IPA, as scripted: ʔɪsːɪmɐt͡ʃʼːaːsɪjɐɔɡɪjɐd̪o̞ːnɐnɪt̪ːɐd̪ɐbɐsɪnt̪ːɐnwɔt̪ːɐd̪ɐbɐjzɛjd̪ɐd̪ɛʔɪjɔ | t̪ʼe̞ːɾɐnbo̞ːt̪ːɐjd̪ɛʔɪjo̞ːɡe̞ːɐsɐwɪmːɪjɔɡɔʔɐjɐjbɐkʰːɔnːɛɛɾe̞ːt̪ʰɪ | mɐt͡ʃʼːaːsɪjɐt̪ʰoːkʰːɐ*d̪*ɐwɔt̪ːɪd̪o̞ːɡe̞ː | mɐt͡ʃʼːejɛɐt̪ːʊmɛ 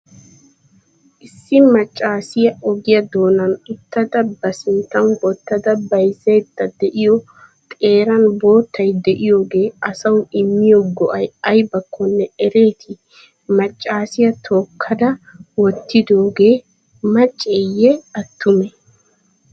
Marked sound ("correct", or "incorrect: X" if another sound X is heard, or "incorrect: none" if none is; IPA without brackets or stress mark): correct